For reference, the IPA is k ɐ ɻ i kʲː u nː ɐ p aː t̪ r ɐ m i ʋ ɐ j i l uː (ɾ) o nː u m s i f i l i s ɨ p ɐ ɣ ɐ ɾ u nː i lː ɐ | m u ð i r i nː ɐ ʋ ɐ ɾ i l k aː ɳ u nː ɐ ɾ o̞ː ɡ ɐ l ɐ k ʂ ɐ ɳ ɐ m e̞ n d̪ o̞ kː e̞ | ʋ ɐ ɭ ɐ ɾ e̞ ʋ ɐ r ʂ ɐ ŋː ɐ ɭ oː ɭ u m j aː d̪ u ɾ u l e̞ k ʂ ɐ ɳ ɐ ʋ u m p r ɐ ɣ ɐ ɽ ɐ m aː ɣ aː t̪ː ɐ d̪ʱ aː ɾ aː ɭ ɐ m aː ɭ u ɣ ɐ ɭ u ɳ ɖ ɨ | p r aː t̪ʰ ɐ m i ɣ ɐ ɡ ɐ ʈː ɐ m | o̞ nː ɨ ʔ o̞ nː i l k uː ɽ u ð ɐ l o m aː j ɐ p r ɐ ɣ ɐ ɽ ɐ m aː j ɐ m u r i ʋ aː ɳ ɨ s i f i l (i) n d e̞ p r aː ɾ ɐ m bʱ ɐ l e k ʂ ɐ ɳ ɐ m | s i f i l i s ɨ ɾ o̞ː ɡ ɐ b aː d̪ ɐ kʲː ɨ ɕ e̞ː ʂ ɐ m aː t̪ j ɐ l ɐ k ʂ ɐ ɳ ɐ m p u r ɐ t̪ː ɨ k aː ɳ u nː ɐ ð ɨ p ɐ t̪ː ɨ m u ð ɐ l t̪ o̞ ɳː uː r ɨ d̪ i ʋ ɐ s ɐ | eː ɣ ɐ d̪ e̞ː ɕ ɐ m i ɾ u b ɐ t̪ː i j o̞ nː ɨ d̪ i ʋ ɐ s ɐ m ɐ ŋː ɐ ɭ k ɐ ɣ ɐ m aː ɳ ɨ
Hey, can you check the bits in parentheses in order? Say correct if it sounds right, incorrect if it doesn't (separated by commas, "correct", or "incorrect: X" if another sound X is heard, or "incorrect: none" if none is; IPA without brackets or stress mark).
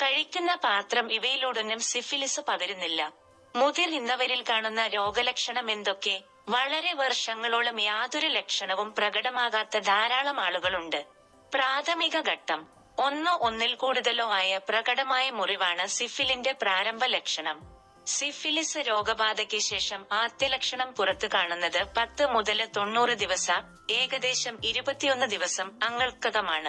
incorrect: ɽ, correct